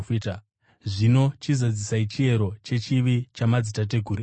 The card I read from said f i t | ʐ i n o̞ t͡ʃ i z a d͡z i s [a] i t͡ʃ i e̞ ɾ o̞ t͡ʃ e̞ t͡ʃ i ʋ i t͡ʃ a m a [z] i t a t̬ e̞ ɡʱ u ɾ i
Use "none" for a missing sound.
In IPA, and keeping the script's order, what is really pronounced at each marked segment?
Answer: a, d͡z

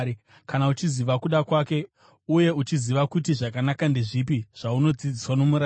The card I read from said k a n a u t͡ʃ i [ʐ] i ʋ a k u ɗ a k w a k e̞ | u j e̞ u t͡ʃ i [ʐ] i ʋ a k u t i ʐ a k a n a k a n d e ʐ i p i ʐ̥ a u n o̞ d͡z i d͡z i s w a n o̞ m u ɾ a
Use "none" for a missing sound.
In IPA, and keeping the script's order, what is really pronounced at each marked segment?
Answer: z, z

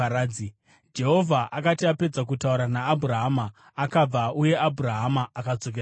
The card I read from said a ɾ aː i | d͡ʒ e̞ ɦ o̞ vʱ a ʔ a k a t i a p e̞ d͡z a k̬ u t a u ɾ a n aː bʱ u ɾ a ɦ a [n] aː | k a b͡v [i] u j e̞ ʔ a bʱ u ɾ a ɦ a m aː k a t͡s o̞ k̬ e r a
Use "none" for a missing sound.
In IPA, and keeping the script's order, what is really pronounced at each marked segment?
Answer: m, a

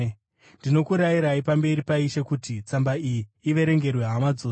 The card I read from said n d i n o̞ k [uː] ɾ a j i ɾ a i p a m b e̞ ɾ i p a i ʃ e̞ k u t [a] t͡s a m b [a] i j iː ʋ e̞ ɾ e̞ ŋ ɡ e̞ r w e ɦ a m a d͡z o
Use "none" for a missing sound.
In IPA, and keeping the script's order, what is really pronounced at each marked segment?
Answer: u, i, a

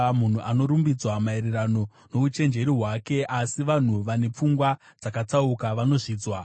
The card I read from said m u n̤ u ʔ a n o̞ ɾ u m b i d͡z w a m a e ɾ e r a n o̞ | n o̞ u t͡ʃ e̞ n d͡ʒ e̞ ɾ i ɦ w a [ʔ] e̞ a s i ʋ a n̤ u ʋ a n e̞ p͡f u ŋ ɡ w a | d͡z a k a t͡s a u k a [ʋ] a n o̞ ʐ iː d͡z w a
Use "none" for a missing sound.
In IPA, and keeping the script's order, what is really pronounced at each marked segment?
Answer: k, ʋ

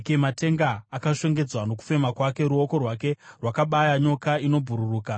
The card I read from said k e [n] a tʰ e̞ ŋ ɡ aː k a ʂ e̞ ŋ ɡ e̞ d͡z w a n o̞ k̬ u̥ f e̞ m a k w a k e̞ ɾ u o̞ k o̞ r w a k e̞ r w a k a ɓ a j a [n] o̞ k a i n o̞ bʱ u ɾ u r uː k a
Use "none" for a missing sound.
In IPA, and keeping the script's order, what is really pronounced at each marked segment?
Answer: m, ɲ

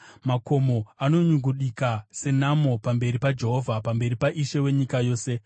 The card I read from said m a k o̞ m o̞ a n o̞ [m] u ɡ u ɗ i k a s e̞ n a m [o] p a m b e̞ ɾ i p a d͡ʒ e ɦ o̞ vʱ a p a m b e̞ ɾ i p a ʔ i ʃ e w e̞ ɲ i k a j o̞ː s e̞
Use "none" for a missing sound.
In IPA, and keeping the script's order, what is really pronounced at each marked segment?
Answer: ɲ, o

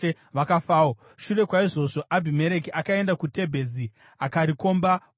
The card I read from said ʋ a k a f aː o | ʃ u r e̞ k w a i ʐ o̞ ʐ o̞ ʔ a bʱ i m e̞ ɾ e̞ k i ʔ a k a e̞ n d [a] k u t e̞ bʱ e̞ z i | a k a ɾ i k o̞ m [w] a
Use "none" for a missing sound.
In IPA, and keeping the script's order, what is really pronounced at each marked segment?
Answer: a, b

